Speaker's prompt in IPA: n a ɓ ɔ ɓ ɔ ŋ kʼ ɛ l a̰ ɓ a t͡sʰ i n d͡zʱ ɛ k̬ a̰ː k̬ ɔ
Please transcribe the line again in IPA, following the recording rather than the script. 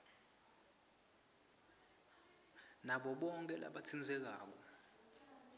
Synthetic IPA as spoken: n a ɓ ɔ ɓ ɔ ŋ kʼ ɛ l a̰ ɓ a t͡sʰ i n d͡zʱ ɛ k̬ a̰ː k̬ ɔ